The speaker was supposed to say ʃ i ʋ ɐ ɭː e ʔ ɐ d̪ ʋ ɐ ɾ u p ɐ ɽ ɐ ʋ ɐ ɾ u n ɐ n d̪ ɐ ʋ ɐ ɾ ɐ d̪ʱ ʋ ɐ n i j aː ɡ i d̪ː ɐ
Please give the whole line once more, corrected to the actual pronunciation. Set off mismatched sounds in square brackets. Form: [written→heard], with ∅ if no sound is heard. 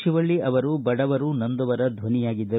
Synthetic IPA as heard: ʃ i ʋ ɐ ɭː [e→i] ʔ ɐ [d̪→∅] ʋ ɐ ɾ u [p→b] ɐ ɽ ɐ ʋ ɐ ɾ u n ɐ n d̪ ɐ ʋ ɐ ɾ ɐ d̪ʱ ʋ ɐ n i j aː ɡ i d̪ː ɐ